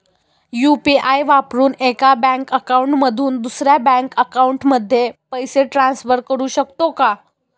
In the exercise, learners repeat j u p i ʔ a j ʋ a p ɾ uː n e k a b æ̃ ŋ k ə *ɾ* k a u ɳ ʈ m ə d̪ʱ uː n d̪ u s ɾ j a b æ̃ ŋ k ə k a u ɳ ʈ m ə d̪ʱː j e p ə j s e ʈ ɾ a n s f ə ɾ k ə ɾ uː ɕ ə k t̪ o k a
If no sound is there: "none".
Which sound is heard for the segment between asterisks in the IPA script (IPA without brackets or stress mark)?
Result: none